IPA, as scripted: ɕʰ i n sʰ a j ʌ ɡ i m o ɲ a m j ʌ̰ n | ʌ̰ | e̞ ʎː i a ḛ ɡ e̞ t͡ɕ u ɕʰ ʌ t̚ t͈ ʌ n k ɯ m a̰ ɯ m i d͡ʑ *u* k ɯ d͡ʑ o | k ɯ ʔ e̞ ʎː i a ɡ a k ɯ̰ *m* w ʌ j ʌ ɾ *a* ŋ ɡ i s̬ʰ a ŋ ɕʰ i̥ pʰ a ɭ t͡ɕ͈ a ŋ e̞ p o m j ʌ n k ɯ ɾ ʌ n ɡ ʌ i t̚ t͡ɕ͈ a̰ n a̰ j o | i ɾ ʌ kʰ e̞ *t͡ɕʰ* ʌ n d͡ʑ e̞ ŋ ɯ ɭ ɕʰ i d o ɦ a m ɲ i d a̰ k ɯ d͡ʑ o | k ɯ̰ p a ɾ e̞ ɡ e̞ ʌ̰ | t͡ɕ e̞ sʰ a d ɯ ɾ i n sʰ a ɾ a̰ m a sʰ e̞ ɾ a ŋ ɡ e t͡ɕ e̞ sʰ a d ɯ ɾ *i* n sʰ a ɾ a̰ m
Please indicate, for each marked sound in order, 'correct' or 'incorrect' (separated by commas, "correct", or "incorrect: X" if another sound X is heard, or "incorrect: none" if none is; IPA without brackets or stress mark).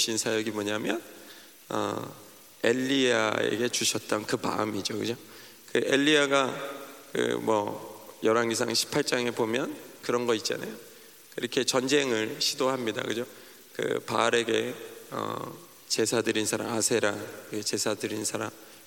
incorrect: o, correct, correct, incorrect: t͡ɕ, correct